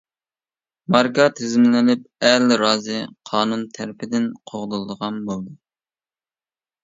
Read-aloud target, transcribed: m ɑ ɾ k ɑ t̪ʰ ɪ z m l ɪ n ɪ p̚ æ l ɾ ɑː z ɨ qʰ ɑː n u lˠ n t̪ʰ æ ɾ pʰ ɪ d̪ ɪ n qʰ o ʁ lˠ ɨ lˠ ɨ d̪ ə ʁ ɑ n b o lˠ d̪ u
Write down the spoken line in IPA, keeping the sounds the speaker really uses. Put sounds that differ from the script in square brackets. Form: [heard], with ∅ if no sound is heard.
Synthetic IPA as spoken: m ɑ ɾ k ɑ t̪ʰ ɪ z m l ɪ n ɪ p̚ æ l ɾ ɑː z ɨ qʰ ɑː n u [∅] n t̪ʰ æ ɾ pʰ ɪ d̪ ɪ n qʰ o ʁ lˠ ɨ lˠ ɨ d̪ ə ʁ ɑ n b o lˠ d̪ u